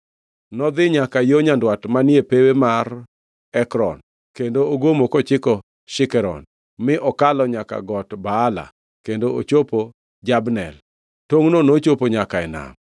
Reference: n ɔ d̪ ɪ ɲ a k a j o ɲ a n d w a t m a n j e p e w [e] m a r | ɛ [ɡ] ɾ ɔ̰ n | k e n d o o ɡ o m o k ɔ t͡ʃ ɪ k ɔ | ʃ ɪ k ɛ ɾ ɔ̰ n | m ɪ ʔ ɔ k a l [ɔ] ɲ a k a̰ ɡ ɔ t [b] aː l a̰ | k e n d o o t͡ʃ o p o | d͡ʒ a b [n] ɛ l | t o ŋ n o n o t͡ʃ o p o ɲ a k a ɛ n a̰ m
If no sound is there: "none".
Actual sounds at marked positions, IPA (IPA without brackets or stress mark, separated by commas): e, k, ɔ, b, n